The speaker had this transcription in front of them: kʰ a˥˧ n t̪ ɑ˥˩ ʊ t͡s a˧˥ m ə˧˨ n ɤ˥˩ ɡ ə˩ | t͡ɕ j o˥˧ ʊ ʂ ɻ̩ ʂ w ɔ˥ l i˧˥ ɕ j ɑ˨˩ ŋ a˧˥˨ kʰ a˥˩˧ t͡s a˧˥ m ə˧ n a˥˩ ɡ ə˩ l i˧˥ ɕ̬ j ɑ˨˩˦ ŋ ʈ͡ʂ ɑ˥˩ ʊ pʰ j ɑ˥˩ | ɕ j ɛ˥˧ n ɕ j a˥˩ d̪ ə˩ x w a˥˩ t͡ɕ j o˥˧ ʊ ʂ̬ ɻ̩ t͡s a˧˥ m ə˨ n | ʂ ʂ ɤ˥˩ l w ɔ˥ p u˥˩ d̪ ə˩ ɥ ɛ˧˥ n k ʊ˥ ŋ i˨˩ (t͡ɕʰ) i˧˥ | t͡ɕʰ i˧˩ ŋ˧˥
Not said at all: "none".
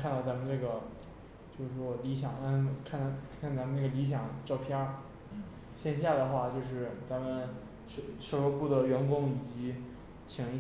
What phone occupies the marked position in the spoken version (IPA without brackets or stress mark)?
t͡ɕ